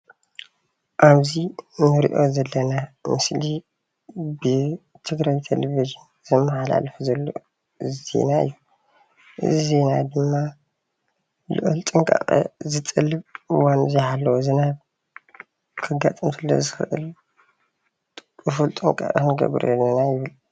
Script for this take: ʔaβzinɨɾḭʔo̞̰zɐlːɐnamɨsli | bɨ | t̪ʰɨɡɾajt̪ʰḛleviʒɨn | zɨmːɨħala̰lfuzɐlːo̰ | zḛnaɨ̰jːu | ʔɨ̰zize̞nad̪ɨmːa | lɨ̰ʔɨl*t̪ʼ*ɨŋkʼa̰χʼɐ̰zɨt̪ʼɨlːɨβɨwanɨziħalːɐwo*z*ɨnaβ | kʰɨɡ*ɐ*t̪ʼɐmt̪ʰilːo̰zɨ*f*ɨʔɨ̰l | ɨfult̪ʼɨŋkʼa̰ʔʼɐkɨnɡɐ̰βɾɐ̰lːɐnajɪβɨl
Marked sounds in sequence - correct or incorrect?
correct, correct, incorrect: a, incorrect: x

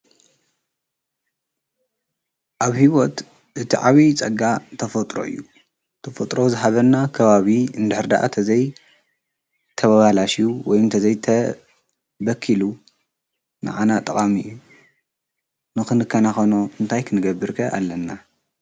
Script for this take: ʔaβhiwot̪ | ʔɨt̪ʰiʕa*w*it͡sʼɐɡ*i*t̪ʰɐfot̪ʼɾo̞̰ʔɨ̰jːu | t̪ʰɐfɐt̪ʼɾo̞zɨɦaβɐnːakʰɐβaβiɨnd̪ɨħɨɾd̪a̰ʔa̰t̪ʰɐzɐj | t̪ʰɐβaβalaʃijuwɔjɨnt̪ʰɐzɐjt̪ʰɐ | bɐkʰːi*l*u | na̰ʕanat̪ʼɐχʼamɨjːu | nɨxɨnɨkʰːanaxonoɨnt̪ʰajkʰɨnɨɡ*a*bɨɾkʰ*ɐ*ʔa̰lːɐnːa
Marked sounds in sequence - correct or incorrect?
incorrect: β, incorrect: a, correct, incorrect: ɐ, correct

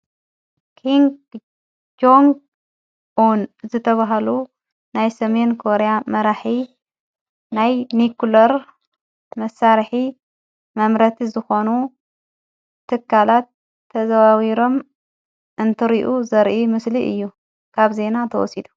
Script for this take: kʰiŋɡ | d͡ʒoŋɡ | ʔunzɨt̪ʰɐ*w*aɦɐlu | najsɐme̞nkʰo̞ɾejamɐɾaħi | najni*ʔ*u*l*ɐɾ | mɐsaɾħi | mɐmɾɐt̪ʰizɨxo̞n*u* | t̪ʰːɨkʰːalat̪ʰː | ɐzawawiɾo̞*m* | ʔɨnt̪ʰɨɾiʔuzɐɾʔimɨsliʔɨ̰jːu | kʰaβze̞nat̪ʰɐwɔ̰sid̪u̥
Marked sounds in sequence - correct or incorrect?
incorrect: β, incorrect: k, correct, correct, correct

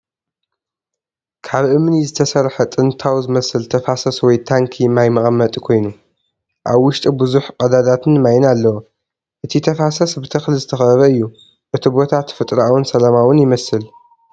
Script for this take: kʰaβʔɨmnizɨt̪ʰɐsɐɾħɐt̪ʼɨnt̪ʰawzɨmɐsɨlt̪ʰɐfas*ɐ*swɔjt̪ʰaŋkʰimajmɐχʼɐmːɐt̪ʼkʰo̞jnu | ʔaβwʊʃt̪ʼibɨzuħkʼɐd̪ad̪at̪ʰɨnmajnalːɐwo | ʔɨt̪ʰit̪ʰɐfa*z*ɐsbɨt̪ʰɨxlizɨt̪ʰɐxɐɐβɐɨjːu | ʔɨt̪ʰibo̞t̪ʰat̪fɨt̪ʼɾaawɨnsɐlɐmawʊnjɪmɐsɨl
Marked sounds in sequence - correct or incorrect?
correct, incorrect: s

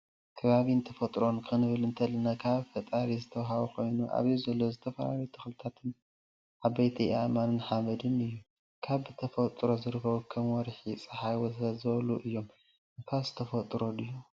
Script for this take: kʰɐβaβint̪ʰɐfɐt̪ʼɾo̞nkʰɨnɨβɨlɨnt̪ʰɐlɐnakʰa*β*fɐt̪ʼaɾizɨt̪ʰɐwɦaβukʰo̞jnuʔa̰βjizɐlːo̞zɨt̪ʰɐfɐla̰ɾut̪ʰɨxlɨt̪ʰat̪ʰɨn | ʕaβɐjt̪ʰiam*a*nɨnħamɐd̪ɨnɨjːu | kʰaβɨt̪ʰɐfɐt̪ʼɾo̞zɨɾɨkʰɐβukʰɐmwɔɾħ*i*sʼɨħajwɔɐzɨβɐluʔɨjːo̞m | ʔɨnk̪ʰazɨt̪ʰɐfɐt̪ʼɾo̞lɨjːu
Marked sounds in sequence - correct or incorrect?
correct, correct, correct

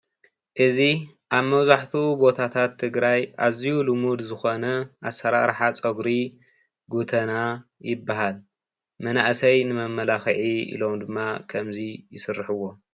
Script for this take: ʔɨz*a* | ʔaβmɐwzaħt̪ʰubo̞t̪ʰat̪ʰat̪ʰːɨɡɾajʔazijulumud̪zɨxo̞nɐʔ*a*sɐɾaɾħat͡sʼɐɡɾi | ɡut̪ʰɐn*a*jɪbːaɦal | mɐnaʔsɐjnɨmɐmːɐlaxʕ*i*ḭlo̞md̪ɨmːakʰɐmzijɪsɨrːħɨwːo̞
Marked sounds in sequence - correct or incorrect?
incorrect: i, correct, correct, correct

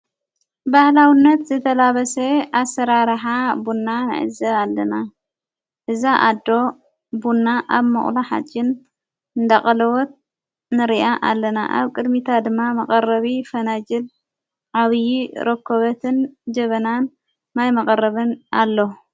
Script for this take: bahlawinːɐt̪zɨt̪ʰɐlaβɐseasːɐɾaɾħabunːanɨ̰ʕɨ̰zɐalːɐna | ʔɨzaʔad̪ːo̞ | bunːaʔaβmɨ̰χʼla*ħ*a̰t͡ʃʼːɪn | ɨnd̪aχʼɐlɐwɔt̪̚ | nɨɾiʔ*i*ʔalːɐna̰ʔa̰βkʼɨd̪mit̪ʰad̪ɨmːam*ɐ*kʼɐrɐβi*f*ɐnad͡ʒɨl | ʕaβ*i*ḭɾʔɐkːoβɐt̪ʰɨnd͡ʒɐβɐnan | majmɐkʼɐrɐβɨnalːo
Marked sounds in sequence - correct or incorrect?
correct, incorrect: a, correct, correct, incorrect: j

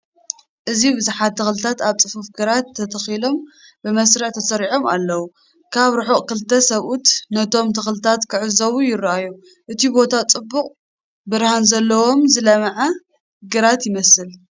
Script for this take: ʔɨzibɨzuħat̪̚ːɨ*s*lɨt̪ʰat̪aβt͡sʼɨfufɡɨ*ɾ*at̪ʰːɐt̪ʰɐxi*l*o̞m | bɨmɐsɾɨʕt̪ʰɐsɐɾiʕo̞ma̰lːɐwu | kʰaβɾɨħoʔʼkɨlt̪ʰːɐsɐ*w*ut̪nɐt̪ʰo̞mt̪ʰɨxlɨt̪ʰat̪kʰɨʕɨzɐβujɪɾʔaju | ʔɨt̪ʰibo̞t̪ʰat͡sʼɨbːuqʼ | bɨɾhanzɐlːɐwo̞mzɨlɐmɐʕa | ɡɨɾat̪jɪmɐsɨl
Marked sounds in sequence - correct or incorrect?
incorrect: x, correct, correct, incorrect: β

